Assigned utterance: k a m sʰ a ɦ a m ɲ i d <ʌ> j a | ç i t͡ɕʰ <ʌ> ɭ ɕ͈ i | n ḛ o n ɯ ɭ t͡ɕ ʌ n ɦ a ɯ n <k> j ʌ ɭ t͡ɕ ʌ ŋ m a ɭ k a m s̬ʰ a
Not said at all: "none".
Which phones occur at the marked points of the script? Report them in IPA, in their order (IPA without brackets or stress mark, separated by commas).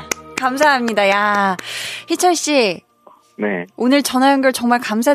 a, ʌ, ɡ